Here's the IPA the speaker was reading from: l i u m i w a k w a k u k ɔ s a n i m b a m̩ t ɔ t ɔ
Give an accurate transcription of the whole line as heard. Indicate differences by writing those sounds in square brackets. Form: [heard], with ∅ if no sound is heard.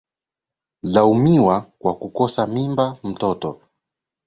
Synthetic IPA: l [a] u m i w a k w a k u k ɔ s a [m] i m b a m̩ t ɔ t ɔ